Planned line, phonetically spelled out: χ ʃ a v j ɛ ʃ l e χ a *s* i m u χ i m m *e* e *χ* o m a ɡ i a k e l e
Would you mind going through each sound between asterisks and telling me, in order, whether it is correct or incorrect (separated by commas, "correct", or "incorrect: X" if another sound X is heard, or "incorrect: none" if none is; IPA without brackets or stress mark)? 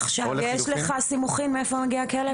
correct, correct, incorrect: f